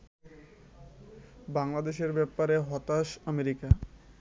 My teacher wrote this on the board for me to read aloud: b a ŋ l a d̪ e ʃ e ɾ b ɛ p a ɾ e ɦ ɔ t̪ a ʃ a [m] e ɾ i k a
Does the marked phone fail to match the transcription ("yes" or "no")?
no